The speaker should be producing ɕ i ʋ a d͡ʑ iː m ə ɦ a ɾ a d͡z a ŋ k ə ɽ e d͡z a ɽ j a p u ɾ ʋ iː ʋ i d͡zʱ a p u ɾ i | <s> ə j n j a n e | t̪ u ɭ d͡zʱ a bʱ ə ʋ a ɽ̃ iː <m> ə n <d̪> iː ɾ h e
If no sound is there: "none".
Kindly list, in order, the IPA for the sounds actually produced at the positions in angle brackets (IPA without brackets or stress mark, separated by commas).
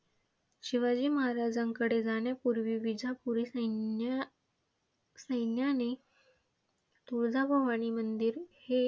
s, m, d̪